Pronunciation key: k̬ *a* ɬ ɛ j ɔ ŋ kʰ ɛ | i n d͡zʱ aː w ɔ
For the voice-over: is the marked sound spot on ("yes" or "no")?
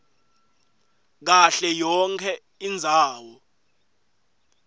yes